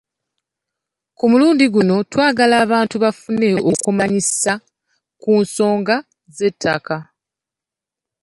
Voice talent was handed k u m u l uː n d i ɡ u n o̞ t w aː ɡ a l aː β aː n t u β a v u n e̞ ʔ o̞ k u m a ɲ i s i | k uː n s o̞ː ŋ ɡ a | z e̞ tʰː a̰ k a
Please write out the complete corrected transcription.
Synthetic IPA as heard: k u m u l uː n d i ɡ u n o̞ t w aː ɡ a l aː β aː n t u β a f u n e̞ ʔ o̞ k u m a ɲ i s a | k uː n s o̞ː ŋ ɡ a | z e̞ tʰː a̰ k a